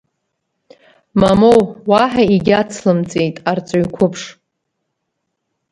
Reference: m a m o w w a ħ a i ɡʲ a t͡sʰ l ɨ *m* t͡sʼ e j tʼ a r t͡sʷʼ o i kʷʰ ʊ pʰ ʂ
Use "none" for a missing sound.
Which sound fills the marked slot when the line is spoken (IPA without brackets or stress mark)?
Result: m